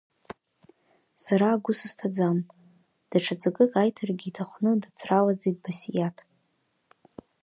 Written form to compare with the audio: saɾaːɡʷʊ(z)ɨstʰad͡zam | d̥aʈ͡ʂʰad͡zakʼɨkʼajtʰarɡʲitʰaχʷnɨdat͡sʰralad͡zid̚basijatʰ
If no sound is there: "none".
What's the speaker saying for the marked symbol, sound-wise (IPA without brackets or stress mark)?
s